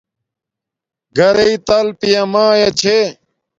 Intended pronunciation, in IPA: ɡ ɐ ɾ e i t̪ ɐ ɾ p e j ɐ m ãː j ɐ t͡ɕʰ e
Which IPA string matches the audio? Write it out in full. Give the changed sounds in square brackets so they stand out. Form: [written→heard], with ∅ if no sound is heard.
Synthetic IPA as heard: ɡ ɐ ɾ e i t̪ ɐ [ɾ→l] p [e→i] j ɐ m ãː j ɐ t͡ɕʰ e